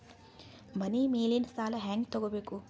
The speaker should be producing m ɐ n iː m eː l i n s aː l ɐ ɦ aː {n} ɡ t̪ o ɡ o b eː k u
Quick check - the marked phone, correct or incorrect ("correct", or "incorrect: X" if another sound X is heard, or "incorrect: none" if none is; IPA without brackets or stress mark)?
incorrect: ŋ